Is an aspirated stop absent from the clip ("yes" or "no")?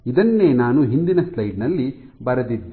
yes